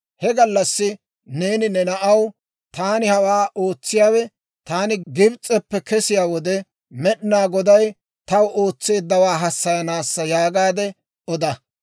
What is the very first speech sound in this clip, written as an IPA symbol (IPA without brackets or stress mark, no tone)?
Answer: h